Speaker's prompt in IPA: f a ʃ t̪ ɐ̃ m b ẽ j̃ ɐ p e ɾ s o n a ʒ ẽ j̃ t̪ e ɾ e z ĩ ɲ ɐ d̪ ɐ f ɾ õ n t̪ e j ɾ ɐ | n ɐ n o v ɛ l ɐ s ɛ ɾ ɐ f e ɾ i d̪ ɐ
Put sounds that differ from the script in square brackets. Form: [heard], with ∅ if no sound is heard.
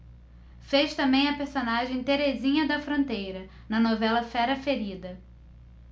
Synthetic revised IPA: f [e] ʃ t̪ ɐ̃ m b ẽ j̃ ɐ p e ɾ s o n a ʒ ẽ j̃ t̪ e ɾ e z ĩ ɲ ɐ d̪ ɐ f ɾ õ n t̪ e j ɾ ɐ | n ɐ n o v ɛ l ɐ [f] ɛ ɾ ɐ f e ɾ i d̪ ɐ